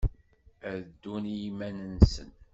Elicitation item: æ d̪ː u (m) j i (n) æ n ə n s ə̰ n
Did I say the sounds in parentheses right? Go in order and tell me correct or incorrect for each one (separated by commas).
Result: incorrect, incorrect